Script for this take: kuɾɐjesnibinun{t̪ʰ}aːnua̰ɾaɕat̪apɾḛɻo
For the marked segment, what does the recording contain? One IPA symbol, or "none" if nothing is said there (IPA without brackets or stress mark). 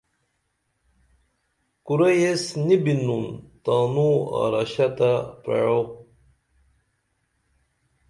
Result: t̪